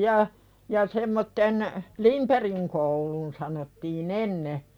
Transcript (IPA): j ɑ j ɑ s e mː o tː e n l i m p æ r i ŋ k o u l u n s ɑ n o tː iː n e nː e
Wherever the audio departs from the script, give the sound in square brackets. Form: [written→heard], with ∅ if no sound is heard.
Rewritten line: j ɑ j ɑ s e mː o tː e n l i m p [æ→e] r i ŋ k o u l u n s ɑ n o tː iː n e nː e

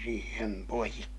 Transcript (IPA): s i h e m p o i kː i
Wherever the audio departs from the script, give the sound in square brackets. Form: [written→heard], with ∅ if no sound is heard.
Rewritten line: s [i→iː] h e m p o i kː i

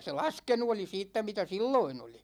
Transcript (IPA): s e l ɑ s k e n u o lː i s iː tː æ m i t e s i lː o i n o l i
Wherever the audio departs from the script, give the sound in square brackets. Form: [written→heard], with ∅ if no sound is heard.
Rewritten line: s e l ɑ s k e n u o [lː→l] i s iː tː æ m i t [e→æ] s i lː o i n o l i

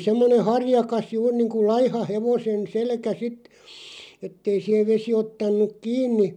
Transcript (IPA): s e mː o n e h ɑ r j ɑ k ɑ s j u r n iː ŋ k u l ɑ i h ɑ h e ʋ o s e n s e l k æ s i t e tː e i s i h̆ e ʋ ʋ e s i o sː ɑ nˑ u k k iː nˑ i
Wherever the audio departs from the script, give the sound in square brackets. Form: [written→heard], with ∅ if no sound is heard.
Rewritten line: s e mː o n e h ɑ r j ɑ k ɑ s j [u→uː] r n iː ŋ k u l ɑ i h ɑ h e ʋ o s e n s e l k æ s i t e tː e i s i h̆ e ʋ ʋ e s i o [sː→tː] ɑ nˑ u k k iː nˑ i

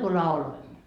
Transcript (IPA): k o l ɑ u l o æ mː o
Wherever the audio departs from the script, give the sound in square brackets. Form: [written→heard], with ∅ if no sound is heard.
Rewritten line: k [o→u] l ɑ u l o [æ→i] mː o

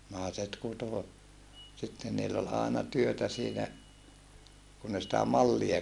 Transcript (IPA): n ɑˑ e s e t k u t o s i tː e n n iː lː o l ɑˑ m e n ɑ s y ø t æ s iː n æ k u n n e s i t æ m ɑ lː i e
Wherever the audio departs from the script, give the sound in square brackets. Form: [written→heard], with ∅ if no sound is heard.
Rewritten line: n ɑˑ e s e t k u t o s i tː e n n iː lː o l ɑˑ [m→∅] e n ɑ [s→t] y ø t æ s iː n æ k u n n e s i t æ m ɑ lː i e

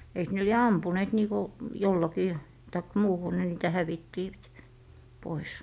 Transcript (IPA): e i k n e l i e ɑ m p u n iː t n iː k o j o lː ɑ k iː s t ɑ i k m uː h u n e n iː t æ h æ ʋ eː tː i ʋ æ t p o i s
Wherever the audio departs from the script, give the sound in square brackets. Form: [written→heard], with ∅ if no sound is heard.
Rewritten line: e i k n e l i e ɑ m p u n [iː→eː] t n iː k o j o lː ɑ k iː [s→∅] t ɑ i k m uː h u n e n iː t æ h æ ʋ [eː→iː] tː i ʋ æ t p o i s

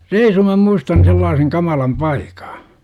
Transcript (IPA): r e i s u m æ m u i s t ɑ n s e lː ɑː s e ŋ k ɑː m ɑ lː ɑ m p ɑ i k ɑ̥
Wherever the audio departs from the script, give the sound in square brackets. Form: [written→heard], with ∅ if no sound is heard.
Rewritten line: r e i s u m æ m u i s t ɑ n s e lː ɑː s e ŋ k [ɑː→ɑ] m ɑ [lː→l] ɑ m p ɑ i k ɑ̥

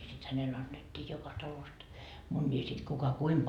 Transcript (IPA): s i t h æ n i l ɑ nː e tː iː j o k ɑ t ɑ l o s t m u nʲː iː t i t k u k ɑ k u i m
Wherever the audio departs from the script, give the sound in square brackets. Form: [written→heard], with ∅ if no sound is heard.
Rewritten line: s i t h æ n [i→e] l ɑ nː e tː iː j o k ɑ t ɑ l o s t m u nʲː iː [t→s] i t k u k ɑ k u i m

